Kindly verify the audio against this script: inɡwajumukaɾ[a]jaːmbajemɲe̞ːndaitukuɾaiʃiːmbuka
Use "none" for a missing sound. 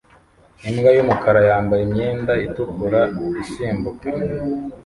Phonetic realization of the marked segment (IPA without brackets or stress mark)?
a